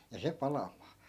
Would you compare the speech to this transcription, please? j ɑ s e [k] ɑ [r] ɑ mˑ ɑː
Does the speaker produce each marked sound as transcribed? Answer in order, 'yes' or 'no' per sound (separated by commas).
no, no